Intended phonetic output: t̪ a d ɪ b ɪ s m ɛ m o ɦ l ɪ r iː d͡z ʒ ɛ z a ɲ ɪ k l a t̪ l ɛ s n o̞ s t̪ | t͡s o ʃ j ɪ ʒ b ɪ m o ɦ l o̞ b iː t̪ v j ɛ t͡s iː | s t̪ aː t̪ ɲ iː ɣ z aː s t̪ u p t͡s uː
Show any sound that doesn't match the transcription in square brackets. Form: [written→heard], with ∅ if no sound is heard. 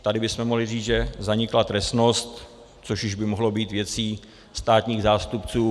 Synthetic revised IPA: t̪ a d ɪ b ɪ s m ɛ m o ɦ l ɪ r iː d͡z ʒ ɛ z a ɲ ɪ k l a t̪ [l→ɾ] ɛ s n o̞ s t̪ | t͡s o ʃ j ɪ ʒ b ɪ m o ɦ l o̞ b iː t̪ v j ɛ t͡s iː | s t̪ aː t̪ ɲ iː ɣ z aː s t̪ u p t͡s uː